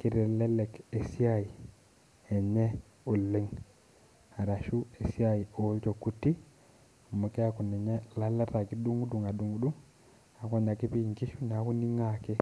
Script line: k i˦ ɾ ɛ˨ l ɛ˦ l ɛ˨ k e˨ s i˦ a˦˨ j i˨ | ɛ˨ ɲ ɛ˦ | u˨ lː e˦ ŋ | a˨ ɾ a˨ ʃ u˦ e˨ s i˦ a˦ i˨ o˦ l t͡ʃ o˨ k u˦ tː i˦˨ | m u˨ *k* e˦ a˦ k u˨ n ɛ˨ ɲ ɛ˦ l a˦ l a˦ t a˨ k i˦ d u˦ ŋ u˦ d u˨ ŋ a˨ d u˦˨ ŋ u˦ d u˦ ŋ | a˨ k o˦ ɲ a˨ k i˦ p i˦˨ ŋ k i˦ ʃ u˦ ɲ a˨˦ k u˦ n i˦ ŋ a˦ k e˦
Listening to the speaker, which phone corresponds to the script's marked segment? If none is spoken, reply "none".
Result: k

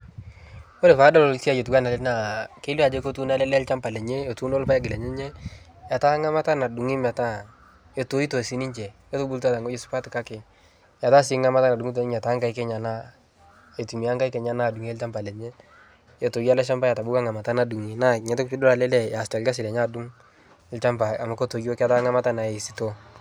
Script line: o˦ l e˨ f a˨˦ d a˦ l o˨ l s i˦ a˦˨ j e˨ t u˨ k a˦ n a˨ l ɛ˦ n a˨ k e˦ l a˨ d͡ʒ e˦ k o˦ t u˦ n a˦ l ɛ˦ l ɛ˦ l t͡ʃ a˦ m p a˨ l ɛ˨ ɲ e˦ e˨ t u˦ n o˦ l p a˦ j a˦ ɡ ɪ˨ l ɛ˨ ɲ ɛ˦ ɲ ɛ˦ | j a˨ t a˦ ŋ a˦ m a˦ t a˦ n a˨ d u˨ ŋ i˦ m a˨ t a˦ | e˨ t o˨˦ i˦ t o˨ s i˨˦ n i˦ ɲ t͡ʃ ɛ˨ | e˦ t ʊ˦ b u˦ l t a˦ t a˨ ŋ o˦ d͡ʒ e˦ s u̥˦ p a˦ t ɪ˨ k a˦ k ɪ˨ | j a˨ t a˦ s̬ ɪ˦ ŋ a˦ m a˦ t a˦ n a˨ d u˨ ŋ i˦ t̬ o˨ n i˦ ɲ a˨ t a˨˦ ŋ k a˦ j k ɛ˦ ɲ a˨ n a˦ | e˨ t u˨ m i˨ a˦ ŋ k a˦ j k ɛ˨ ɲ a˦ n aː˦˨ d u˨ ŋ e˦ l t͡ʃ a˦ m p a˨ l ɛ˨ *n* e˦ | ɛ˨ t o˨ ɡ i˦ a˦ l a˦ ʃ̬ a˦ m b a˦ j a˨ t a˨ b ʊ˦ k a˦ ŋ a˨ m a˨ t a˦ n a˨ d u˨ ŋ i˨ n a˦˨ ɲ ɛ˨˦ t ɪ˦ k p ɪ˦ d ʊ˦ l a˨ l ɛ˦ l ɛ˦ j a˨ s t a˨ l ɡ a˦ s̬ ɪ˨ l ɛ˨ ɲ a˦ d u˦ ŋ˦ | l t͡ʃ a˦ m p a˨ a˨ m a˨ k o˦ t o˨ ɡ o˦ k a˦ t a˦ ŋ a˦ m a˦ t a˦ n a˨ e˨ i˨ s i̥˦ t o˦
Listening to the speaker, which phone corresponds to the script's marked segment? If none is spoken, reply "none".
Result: ɲ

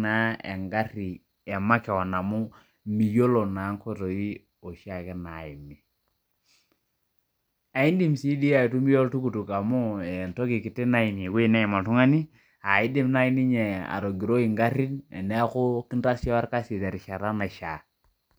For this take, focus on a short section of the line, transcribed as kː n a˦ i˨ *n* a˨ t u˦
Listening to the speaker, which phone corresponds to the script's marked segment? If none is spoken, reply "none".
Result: m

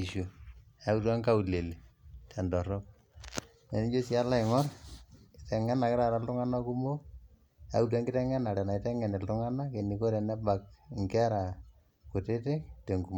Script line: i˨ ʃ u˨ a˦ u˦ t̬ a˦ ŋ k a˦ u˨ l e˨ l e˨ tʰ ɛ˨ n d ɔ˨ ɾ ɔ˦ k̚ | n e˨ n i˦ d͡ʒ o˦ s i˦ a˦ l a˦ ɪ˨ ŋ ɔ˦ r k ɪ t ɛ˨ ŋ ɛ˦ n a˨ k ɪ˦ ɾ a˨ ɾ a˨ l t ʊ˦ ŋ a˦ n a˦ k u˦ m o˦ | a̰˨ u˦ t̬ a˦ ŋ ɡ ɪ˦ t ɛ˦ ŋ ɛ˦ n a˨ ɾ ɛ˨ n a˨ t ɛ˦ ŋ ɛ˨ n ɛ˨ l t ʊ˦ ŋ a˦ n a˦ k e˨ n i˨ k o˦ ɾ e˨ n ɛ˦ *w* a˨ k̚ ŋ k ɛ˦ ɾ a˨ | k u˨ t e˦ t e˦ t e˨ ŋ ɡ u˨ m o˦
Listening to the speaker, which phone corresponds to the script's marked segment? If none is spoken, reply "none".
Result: b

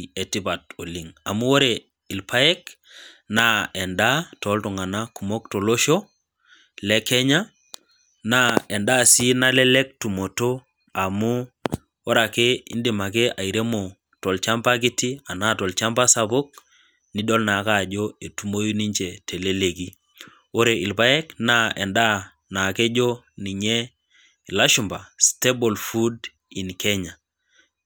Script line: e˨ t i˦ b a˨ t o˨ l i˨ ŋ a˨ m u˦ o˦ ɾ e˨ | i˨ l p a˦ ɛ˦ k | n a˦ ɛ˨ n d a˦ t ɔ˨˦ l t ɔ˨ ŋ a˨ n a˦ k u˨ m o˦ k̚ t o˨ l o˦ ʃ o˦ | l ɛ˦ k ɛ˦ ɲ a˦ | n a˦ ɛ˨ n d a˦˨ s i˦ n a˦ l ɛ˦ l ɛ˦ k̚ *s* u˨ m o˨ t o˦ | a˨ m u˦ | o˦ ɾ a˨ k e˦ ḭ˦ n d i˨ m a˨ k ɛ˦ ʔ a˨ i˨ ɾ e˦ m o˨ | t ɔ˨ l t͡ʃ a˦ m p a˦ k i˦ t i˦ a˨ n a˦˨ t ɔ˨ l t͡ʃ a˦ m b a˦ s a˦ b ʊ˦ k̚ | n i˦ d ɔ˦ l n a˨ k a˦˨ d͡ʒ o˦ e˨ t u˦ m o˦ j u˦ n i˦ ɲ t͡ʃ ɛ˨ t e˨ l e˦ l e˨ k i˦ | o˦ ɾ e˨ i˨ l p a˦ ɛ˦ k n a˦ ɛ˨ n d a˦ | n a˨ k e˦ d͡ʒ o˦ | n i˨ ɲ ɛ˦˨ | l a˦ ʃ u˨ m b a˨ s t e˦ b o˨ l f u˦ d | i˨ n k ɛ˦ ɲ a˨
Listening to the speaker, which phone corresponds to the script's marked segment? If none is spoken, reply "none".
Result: t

